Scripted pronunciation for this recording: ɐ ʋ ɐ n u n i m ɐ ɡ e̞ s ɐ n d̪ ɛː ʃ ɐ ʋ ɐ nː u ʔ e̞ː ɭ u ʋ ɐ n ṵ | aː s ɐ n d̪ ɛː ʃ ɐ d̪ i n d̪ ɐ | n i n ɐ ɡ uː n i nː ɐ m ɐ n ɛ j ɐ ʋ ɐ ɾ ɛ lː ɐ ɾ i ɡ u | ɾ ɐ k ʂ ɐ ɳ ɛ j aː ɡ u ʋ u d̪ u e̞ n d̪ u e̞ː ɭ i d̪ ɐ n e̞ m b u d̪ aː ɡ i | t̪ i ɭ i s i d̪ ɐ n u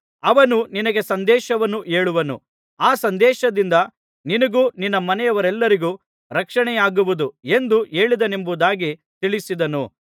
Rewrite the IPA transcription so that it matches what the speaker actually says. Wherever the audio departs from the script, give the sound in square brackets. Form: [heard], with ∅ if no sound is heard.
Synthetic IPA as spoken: ɐ ʋ ɐ n u n i [n] ɐ ɡ e̞ s ɐ n d̪ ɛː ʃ ɐ ʋ ɐ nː u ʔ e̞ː ɭ u ʋ ɐ n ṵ | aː s ɐ n d̪ ɛː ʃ ɐ d̪ i n d̪ ɐ | n i n ɐ ɡ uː n i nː ɐ m ɐ n ɛ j ɐ ʋ ɐ ɾ ɛ lː ɐ ɾ i ɡ u | ɾ ɐ k ʂ ɐ ɳ ɛ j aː ɡ u ʋ u d̪ u e̞ n d̪ u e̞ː ɭ i d̪ ɐ n e̞ m b u d̪ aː ɡ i | t̪ i ɭ i s i d̪ ɐ n u